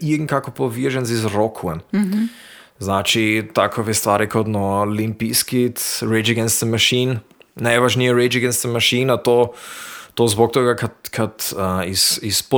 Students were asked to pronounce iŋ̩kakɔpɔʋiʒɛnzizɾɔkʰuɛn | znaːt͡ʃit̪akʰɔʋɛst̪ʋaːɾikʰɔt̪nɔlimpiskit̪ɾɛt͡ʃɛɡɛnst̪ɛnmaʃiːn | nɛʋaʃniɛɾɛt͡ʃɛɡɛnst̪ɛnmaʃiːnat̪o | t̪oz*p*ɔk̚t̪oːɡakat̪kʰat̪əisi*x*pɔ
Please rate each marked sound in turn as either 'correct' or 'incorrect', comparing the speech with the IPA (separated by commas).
incorrect, incorrect